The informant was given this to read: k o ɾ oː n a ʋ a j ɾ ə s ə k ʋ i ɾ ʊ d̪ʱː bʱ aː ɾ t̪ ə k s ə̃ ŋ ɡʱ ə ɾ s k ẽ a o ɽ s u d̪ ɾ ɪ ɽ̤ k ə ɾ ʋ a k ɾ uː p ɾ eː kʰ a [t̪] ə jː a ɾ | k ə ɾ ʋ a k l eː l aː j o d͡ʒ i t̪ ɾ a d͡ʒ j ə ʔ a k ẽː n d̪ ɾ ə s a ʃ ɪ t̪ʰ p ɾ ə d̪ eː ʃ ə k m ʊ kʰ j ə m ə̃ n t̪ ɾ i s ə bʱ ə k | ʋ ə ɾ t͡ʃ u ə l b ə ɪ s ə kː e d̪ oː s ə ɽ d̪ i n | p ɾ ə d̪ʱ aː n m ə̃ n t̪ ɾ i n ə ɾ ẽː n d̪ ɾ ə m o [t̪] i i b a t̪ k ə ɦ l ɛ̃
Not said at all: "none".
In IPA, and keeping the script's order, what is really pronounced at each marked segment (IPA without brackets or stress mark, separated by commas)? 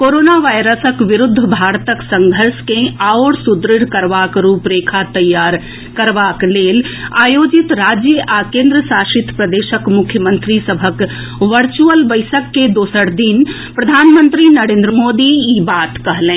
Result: t̪, d̪